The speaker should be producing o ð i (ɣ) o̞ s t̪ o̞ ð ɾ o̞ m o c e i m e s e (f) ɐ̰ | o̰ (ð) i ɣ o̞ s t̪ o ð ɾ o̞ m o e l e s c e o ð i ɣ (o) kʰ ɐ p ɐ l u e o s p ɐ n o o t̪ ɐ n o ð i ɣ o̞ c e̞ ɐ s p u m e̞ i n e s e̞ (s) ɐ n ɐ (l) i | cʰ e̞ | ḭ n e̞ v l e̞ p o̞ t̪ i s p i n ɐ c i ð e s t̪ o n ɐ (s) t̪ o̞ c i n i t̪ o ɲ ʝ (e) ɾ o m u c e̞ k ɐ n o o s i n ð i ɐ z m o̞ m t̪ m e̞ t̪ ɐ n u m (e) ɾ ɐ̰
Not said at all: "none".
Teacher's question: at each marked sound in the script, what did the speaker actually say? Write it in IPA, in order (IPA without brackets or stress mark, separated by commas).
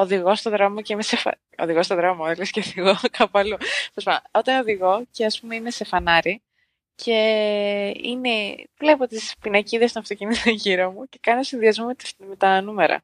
ɣ, f, ð, o, f, ɾ, f, i, e